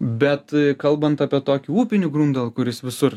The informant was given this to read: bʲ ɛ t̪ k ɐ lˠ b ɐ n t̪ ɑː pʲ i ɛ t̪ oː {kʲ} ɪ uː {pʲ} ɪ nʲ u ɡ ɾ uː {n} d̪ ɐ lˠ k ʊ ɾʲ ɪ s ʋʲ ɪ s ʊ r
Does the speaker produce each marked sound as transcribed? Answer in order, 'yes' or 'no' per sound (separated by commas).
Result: yes, yes, yes